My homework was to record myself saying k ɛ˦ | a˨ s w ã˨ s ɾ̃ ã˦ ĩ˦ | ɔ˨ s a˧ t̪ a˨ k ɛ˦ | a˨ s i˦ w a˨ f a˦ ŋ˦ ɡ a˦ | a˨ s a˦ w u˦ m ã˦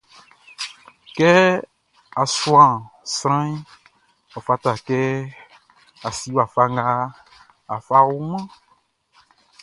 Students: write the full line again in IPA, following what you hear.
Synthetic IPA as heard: k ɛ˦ | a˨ s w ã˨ s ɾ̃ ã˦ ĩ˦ | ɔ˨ f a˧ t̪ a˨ k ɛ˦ | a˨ s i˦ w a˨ f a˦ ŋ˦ ɡ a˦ | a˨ f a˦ w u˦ m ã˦

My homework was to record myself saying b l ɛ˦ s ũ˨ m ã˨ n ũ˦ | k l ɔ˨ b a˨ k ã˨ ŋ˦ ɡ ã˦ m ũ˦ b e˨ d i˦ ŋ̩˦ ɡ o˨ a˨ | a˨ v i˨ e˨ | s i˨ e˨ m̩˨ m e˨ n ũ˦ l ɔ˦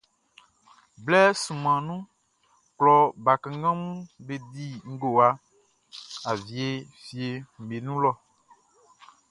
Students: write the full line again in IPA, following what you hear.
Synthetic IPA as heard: b l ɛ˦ s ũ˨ m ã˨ n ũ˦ | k l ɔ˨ b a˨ k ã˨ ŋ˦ ɡ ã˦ m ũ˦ b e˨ d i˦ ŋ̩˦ ɡ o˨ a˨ | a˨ v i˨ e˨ | f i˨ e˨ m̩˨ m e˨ n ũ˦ l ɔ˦

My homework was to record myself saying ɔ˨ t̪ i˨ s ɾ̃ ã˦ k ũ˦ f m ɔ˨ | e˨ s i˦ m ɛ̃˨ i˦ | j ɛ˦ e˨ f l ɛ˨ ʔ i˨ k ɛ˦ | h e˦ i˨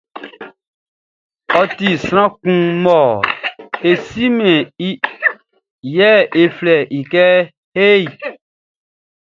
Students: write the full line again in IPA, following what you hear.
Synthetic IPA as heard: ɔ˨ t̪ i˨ s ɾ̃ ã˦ k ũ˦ m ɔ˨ | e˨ s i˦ m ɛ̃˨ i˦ | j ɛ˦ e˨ f l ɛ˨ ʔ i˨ k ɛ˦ | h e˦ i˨

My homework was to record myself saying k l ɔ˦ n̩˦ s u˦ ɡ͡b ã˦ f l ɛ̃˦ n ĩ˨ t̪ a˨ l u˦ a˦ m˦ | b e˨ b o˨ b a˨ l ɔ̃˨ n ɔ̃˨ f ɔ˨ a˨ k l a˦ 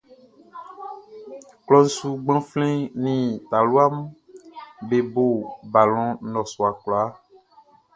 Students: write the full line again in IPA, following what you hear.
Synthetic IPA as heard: k l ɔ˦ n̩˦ s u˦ ɡ͡b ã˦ f l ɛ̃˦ n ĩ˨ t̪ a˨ l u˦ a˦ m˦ | b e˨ b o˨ b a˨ l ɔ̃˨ n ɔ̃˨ s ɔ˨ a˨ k l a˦

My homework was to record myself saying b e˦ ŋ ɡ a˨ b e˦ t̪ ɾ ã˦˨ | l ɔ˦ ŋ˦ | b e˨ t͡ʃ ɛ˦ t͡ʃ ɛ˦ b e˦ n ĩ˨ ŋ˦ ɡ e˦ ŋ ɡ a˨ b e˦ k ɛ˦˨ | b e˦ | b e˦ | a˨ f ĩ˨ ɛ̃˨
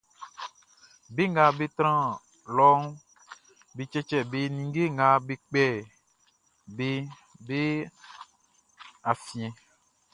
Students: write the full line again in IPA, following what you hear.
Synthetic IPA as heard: b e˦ ŋ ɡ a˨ b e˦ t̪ ɾ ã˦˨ | l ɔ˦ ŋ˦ | b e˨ t͡ʃ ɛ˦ t͡ʃ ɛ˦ b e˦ n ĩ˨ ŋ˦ ɡ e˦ ŋ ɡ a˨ b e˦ k͡p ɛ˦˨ | b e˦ | b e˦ | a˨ f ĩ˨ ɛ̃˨

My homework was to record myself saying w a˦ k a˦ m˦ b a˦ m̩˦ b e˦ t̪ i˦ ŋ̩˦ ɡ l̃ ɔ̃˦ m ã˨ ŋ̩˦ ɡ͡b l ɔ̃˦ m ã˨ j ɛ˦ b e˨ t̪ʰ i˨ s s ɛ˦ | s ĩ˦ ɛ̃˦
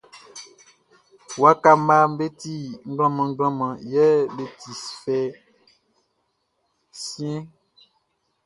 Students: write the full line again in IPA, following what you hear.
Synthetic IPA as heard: w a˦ k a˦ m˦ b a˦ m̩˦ b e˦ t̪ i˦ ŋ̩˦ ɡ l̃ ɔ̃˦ m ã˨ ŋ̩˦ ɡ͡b l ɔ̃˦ m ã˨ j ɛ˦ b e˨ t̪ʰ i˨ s f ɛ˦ | s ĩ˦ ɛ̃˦

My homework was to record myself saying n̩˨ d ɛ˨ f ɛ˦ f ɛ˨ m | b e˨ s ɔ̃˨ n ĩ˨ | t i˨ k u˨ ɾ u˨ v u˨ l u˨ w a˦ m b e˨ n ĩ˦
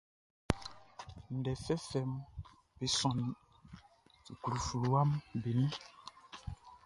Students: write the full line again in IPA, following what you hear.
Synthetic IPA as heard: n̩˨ d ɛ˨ f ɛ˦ f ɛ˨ m | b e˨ s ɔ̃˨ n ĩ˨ | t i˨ k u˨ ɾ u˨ f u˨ l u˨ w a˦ m b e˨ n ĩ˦

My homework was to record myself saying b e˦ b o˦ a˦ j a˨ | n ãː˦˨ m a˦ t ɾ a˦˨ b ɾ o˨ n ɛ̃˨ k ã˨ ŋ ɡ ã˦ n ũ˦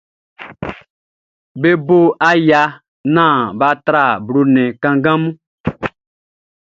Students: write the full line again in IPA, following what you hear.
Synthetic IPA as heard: b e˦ b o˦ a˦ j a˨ | n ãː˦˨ b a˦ t ɾ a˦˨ b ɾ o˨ n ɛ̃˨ k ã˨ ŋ ɡ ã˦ m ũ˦

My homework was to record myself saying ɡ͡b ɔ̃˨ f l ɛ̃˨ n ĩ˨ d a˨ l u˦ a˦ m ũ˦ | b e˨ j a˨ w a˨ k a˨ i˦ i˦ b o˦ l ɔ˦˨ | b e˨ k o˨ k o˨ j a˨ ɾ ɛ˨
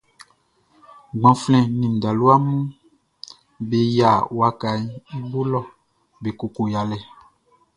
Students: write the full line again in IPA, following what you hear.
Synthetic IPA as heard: ɡ͡b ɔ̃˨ f l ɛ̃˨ n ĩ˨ d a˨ l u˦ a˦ m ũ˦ | b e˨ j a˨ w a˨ k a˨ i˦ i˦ b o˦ l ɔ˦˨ | b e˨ k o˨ k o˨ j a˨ l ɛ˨

